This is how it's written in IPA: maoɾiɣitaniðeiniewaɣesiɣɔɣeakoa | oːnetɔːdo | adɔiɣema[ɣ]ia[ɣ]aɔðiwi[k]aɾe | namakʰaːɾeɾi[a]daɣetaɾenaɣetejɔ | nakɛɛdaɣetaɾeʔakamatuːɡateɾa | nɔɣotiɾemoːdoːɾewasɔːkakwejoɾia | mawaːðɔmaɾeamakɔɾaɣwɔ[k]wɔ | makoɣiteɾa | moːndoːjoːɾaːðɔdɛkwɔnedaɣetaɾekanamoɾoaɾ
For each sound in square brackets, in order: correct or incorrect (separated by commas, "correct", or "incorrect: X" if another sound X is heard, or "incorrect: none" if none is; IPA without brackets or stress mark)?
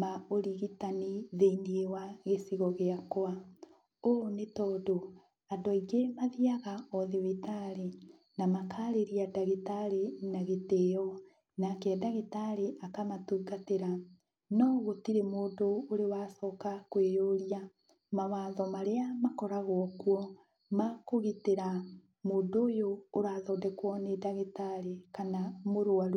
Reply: incorrect: ð, correct, incorrect: t, correct, correct